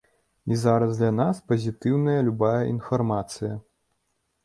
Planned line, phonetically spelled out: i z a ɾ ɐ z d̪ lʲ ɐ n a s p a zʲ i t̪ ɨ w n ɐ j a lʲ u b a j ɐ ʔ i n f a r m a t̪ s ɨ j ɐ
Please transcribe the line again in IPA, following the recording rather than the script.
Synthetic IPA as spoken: i z a ɾ ɐ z d̪ lʲ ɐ n a s p ɐ zʲ i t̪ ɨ w n ɐ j ɐ lʲ u b a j ɐ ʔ i n f a r m a t̪ s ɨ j ɐ